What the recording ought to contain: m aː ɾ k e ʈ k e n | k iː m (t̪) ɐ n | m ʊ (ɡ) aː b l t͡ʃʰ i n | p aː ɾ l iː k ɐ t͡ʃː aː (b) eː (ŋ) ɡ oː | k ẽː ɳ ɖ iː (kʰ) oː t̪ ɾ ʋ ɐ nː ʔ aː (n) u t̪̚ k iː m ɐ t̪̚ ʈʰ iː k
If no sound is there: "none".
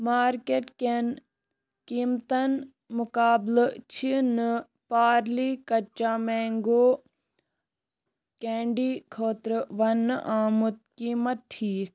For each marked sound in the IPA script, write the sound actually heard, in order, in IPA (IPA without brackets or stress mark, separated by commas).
t̪, k, m, ŋ, kʰ, m